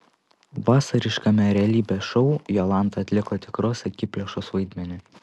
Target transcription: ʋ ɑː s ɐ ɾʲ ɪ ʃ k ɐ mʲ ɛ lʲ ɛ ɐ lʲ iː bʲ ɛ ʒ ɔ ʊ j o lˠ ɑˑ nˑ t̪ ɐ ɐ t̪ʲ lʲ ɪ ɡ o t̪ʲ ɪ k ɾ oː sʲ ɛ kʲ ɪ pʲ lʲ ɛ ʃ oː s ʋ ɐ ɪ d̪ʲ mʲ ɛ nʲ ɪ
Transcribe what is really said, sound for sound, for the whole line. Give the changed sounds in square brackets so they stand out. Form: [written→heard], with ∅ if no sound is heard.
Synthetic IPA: ʋ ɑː s ɐ ɾʲ ɪ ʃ k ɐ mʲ ɛ [lʲ→ɾʲ] ɛ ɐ lʲ iː bʲ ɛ [ʒ→ʃ] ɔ ʊ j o lˠ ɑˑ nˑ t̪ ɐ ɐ t̪ʲ lʲ ɪ [ɡ→k] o t̪ʲ ɪ k ɾ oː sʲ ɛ kʲ ɪ pʲ lʲ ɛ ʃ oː s ʋ ɐ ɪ d̪ʲ mʲ ɛ nʲ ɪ